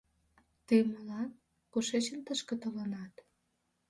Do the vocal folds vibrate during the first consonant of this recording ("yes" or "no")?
no